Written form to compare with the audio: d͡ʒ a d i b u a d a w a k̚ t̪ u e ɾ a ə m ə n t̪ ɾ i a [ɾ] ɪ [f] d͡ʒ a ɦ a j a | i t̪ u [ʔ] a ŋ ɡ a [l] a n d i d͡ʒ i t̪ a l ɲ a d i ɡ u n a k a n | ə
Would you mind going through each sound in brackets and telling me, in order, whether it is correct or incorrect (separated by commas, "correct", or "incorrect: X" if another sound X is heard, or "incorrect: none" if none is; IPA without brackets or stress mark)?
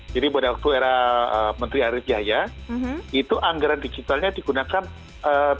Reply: correct, correct, correct, incorrect: ɾ